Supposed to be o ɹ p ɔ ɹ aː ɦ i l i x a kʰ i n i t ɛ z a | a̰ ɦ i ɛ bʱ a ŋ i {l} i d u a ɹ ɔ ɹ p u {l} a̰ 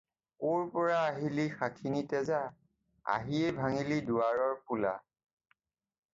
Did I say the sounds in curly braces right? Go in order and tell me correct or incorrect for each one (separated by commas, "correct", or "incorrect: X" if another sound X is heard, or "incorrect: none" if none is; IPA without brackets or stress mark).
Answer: correct, correct